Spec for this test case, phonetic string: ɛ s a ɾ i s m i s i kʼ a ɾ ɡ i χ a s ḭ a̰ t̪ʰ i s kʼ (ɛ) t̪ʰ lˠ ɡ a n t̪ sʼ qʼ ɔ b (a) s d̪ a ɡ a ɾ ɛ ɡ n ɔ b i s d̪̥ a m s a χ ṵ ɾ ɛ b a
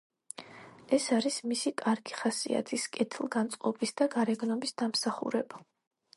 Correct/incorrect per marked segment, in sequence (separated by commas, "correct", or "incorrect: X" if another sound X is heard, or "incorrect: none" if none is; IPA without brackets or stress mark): correct, incorrect: i